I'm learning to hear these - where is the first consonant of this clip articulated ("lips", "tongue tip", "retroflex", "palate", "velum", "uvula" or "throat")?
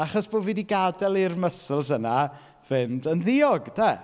uvula